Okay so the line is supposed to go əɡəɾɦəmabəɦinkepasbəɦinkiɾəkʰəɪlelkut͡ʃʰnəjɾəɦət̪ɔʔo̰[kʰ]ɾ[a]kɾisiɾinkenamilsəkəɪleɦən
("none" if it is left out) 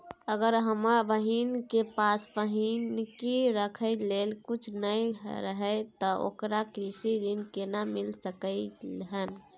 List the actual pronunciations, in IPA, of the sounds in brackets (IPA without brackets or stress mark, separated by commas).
k, a